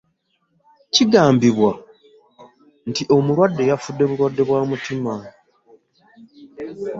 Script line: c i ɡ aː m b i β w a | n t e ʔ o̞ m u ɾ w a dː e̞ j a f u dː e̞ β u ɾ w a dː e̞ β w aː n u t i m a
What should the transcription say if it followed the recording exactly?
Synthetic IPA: c i ɡ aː m b i β w a | n t i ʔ o̞ m u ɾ w a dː e̞ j a f u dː e̞ β u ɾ w a dː e̞ β w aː m u t i m a